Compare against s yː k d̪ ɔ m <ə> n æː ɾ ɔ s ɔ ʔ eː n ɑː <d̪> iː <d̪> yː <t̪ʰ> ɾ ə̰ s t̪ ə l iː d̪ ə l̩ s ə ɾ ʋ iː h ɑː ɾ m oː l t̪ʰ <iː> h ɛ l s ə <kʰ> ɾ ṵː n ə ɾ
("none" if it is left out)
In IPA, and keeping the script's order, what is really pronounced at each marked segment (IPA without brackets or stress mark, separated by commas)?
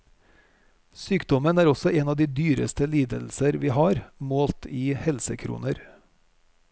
ə, d̪, d̪, none, iː, kʰ